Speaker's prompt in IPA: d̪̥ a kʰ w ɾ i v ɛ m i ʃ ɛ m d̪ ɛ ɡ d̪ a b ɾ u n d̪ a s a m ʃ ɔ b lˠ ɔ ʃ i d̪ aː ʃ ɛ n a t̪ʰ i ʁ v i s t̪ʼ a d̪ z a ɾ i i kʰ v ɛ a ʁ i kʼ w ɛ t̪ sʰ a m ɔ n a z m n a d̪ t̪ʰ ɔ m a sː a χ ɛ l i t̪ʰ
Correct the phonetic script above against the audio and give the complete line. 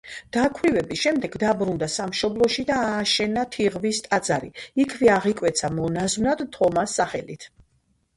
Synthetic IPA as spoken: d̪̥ a kʰ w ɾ i v ɛ b i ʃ ɛ m d̪ ɛ ɡ d̪ a b ɾ u n d̪ a s a m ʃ ɔ b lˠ ɔ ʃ i d̪ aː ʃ ɛ n a t̪ʰ i ʁ v i s t̪ʼ a d̪ z a ɾ i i kʰ v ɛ a ʁ i kʼ w ɛ t̪ sʰ a m ɔ n a z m n a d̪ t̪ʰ ɔ m a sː a χ ɛ l i t̪ʰ